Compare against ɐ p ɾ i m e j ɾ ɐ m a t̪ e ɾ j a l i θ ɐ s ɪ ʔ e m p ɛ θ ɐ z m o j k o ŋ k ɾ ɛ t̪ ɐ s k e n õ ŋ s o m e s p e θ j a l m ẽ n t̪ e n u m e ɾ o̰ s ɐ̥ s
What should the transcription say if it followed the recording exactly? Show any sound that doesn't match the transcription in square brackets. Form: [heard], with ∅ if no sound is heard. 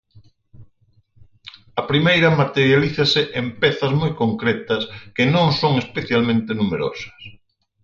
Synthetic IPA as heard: ɐ p ɾ i m e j ɾ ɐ m a t̪ e ɾ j a l i θ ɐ s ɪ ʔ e m p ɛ θ ɐ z m o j k o ŋ k ɾ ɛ t̪ ɐ s k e n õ ŋ s o [ŋ] e s p e θ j a l m ẽ n t̪ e n u m e ɾ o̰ s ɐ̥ s